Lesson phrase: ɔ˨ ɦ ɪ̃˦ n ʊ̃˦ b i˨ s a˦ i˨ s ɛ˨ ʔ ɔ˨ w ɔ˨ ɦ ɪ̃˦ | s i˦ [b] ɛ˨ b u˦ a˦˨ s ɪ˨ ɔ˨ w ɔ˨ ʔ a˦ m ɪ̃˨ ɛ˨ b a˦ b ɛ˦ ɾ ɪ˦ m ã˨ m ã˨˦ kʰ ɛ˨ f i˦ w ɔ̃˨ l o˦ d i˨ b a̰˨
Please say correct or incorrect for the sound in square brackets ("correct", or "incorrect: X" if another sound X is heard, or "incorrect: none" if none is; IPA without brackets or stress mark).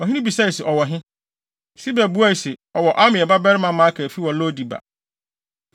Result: correct